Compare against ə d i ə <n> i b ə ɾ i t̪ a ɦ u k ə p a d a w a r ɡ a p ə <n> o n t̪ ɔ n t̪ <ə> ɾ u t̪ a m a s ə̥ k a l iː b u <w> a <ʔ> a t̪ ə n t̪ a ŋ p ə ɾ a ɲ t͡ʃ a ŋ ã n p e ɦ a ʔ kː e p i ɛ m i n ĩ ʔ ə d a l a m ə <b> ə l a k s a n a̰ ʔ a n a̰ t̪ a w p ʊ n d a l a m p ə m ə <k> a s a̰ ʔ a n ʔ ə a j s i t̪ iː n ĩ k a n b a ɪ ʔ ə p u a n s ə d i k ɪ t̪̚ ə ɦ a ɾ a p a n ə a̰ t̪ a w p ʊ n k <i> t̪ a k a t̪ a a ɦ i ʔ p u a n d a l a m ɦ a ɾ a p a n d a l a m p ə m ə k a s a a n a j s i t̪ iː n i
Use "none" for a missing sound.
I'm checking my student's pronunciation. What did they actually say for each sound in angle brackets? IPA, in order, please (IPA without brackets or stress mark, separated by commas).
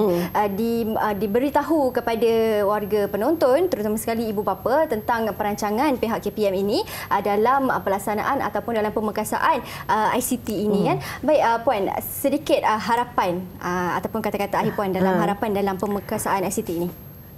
d, n, ə, b, p, p, k, a